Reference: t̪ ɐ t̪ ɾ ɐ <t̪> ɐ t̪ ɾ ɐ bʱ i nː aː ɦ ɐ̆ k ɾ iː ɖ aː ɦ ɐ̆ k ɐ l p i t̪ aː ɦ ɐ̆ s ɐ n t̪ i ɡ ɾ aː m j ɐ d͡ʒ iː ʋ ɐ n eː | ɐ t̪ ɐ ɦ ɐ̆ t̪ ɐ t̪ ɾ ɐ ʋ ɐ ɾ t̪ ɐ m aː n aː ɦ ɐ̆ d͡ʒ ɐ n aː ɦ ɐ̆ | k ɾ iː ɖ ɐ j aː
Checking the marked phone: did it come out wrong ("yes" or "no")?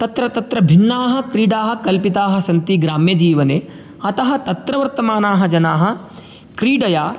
no